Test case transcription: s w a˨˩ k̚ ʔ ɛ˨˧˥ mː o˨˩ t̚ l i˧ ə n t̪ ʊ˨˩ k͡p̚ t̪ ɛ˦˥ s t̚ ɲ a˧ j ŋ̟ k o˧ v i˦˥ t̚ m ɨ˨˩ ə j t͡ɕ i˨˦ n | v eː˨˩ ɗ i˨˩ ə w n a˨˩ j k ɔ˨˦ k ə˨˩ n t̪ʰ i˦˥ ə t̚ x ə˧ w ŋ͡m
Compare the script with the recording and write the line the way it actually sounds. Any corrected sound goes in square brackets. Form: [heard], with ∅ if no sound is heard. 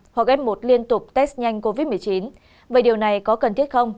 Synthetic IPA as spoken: [h] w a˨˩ k̚ ʔ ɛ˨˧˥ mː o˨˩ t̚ l i˧ ə n t̪ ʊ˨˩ k͡p̚ t̪ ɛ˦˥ s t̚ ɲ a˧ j ŋ̟ k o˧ v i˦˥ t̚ m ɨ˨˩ ə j t͡ɕ i˨˦ n | v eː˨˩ ɗ i˨˩ ə w n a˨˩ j k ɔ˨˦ k ə˨˩ n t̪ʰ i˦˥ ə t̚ x ə˧ w ŋ͡m

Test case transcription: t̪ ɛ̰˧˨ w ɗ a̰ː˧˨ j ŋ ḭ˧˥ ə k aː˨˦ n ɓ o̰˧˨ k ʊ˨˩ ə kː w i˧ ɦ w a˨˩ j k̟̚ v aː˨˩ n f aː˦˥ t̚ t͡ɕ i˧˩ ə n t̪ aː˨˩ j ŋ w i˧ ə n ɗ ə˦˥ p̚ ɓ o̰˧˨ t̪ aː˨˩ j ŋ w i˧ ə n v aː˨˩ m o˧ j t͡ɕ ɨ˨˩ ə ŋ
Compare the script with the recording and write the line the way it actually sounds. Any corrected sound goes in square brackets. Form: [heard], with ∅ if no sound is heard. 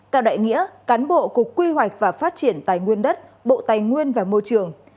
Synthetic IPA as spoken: t̪ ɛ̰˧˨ w ɗ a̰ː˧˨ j ŋ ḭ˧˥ ə k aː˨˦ n ɓ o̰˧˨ k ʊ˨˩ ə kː w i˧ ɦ w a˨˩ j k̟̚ v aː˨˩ [∅] f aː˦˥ t̚ t͡ɕ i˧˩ ə n t̪ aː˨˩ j ŋ w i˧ ə n ɗ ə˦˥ [t̚] ɓ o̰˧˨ t̪ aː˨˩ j ŋ w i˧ ə n v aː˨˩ m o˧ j t͡ɕ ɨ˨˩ ə ŋ

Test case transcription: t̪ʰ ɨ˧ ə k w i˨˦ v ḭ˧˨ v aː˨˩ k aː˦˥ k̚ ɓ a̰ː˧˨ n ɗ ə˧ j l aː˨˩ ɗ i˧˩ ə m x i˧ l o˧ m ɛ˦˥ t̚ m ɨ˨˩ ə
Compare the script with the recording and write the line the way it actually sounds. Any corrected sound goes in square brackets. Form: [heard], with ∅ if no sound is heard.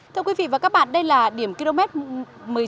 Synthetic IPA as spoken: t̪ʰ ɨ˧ ə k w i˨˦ v ḭ˧˨ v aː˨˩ k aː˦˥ k̚ ɓ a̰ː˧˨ n ɗ ə˧ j l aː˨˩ ɗ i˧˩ ə m [k] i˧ l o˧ m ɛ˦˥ t̚ m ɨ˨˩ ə

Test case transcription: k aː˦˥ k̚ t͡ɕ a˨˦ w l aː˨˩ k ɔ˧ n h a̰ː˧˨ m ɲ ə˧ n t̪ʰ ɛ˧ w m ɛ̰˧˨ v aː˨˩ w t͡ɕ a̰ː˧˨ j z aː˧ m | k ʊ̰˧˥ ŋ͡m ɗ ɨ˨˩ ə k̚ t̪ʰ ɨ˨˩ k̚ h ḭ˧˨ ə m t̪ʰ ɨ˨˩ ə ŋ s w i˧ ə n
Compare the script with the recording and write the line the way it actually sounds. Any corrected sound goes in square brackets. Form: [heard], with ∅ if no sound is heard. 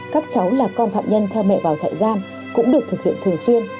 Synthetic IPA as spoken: k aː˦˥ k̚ t͡ɕ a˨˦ w l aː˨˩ k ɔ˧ n [f] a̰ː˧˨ m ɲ ə˧ n t̪ʰ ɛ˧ w m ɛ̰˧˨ v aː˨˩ w t͡ɕ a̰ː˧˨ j z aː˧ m | k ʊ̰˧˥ ŋ͡m ɗ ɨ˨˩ ə k̚ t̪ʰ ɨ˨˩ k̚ h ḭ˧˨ ə [n] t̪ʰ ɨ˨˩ ə ŋ s w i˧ ə n

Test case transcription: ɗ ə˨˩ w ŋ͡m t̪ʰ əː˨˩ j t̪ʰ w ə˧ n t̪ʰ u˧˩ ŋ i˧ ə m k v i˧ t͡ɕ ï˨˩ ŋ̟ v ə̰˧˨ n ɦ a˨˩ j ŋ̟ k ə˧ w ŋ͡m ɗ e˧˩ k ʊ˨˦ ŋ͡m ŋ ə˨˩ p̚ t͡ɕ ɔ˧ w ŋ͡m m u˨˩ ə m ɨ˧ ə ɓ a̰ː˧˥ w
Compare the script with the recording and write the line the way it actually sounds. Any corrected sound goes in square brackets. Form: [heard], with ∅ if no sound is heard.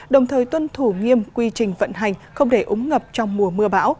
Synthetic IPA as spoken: ɗ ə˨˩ w ŋ͡m t̪ʰ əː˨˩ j [t̪] w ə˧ n t̪ʰ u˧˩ ŋ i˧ ə m k [w] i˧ t͡ɕ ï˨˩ ŋ̟ v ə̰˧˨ n ɦ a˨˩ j ŋ̟ [x] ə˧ w ŋ͡m ɗ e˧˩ [ʔ] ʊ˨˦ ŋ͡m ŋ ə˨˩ p̚ t͡ɕ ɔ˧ w ŋ͡m m u˨˩ ə m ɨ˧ ə ɓ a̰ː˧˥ w

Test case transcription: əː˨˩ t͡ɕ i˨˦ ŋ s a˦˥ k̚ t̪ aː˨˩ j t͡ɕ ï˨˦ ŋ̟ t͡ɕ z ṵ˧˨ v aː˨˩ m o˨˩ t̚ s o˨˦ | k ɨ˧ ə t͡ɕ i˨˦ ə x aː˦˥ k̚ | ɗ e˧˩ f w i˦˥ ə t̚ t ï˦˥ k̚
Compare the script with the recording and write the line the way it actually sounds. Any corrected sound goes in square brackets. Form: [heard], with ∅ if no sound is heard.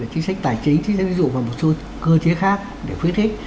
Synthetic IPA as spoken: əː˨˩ t͡ɕ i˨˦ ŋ s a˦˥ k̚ t̪ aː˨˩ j t͡ɕ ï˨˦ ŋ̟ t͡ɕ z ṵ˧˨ v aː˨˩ m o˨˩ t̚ s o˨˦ | k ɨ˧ ə t͡ɕ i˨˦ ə x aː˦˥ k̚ | ɗ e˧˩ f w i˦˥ ə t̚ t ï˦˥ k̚

